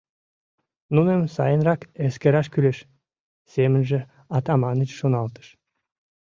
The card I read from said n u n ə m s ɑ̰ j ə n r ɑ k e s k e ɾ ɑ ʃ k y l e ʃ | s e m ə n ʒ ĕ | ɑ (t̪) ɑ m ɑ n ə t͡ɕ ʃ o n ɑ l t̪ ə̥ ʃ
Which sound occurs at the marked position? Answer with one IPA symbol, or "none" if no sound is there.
t̪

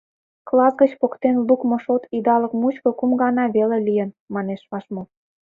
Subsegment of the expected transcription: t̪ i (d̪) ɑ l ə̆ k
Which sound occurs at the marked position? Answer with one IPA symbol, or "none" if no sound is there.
d̪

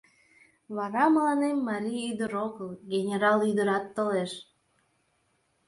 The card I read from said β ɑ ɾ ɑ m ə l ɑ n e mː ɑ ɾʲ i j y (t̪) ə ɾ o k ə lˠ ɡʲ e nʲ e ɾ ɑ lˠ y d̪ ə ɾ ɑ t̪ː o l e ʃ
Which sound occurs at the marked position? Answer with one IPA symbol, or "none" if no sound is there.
d̪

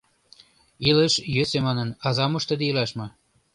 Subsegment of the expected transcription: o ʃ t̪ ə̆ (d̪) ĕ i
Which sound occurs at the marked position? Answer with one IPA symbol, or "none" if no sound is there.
d̪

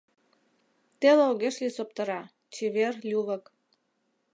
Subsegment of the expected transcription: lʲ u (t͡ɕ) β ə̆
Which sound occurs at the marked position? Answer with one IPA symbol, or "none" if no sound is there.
none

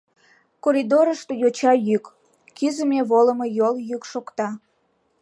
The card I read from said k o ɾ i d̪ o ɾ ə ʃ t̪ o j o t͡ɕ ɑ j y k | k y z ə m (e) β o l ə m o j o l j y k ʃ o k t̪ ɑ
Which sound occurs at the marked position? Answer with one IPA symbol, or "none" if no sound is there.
e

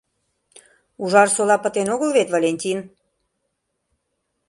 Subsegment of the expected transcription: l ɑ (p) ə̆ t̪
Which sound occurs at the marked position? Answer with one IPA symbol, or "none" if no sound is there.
p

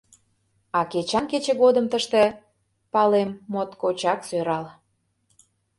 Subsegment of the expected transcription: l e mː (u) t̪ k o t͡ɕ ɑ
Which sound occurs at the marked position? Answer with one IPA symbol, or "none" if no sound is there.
o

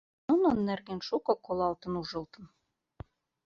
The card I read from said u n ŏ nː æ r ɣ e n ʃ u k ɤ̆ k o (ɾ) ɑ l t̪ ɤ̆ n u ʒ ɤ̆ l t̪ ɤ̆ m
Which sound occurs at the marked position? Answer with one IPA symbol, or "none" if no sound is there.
l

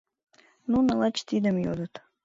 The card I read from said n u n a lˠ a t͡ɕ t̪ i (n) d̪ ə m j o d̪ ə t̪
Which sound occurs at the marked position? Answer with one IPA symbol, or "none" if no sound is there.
none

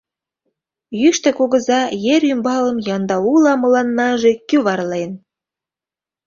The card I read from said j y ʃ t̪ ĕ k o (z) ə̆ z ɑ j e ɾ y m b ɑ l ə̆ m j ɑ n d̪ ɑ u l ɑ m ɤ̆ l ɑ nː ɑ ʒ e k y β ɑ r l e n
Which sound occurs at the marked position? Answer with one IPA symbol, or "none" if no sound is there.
ɣ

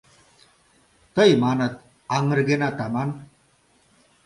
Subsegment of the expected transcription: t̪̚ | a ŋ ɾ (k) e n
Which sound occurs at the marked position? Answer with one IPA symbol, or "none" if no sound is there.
ɡ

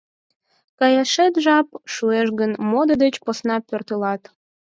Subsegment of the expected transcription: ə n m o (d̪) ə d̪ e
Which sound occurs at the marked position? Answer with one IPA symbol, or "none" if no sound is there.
d̪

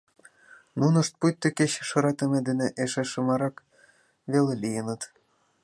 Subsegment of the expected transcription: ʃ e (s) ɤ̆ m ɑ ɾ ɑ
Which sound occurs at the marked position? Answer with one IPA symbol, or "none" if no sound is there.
ʃ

